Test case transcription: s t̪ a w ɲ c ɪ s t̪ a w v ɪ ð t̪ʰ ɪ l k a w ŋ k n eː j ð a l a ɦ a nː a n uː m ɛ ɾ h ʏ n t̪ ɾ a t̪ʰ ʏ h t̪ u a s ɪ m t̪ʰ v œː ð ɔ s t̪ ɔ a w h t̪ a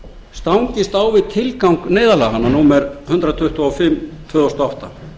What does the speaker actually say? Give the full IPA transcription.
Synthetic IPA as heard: s t̪ a w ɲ c ɪ s t̪ a w v ɪ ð t̪ʰ ɪ l k a w ŋ k n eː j ð a l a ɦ a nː a n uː m ɛ ɾ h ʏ n t̪ ɾ a t̪ʰ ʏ h t̪ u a f ɪ m t̪ʰ v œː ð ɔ s t̪ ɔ a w h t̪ a

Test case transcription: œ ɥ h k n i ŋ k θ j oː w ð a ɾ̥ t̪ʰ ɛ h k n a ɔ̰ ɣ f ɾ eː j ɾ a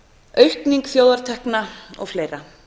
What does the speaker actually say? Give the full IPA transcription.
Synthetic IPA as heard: œ ɥ h k n i ŋ k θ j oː w ð a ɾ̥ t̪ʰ ɛ h k n a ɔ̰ ɣ f l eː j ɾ a

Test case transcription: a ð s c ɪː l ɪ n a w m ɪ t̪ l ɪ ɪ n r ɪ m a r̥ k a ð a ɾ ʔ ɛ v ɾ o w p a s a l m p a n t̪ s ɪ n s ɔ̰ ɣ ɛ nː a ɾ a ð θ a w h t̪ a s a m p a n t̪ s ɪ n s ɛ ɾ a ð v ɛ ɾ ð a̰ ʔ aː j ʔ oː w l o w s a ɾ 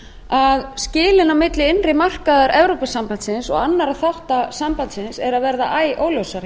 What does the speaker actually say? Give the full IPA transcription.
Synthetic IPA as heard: a ð s c ɪː l ɪ n a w m ɪ t̪ l ɪ ɪ n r ɪ m a r̥ k a ð a ɾ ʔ ɛ v ɾ o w p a s a m p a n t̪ s ɪ n s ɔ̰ ɣ a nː a ɾ a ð θ a w h t̪ a s a m p a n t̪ s ɪ n s ɛ ɾ a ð v ɛ ɾ ð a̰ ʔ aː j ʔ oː w l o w s a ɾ

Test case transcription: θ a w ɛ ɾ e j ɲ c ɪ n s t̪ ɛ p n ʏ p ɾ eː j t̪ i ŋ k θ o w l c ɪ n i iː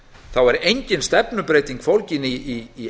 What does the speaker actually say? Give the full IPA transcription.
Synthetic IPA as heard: θ a w ɛ ɾ e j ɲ c ɪ n s t̪ ɛ p n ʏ p ɾ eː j t̪ i ŋ k f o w l c ɪ n i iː

